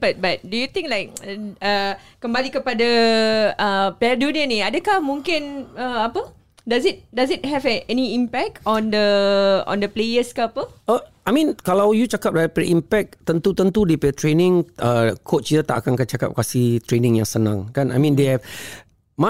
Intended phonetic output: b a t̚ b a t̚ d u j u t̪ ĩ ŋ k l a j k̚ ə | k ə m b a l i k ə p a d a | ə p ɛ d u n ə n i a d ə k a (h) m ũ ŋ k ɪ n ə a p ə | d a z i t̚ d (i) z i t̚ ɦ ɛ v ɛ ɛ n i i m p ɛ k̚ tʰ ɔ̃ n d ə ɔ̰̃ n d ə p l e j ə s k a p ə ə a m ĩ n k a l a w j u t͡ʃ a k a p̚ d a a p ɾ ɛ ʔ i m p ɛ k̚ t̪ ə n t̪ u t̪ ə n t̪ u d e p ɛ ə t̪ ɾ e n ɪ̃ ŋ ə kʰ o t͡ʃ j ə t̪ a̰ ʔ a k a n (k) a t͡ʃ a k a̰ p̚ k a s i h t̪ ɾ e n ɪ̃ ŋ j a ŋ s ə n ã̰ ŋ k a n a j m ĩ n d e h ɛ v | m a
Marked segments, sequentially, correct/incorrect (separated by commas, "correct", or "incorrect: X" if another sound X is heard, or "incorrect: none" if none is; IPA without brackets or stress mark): correct, incorrect: a, correct